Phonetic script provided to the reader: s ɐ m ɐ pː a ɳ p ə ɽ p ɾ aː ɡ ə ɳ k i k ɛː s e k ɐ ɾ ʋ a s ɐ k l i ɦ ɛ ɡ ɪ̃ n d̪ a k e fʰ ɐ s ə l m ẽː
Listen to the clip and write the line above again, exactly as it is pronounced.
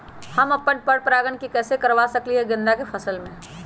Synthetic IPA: h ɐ m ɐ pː ə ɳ p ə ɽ p ɾ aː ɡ ə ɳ k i k ɛː s e k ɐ ɾ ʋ a s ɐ k l i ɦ ɛ ɡ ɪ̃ n d̪ a k e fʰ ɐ s ə l m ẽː